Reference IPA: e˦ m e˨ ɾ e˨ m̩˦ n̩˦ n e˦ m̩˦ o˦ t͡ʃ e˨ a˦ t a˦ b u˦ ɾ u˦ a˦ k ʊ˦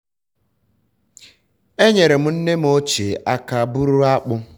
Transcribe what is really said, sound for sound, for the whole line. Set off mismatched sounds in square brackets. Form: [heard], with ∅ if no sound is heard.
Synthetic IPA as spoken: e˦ [ɲ] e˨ ɾ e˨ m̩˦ n̩˦ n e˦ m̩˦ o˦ t͡ʃ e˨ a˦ [k] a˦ b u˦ ɾ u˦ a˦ [k͡p] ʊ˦